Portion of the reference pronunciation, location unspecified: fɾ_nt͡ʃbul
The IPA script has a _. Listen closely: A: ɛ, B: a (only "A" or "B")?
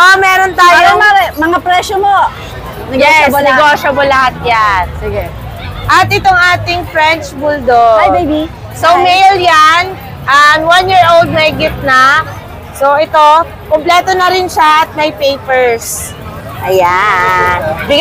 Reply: A